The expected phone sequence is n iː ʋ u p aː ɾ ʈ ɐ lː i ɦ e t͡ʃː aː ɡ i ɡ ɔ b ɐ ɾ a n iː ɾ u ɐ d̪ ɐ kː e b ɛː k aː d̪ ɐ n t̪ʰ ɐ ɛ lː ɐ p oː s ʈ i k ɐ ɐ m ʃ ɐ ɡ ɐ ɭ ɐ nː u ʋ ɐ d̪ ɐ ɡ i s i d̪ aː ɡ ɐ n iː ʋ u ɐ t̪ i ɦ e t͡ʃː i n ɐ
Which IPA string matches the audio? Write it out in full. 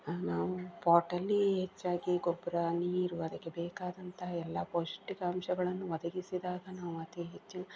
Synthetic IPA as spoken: n aː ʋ u p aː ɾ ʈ ɐ lː i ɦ e t͡ʃː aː ɡ i ɡ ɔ b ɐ ɾ a n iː ɾ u ɐ d̪ ɐ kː e b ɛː k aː d̪ ɐ n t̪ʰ ɐ ɛ lː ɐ p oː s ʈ i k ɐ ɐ m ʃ ɐ ɡ ɐ ɭ ɐ nː u ʋ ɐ d̪ ɐ ɡ i s i d̪ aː ɡ ɐ n aː ʋ u ɐ t̪ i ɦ e t͡ʃː i n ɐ